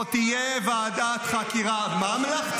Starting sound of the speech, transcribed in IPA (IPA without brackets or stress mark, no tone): t̪